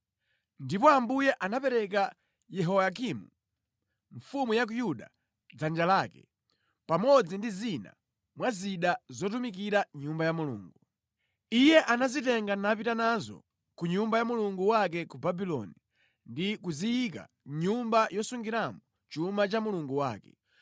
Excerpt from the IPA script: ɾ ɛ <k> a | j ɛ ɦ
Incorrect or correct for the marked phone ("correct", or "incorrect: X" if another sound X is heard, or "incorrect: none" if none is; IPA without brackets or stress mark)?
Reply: correct